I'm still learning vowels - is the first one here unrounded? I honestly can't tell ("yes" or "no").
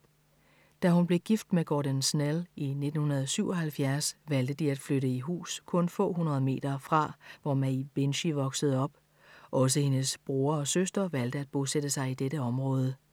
yes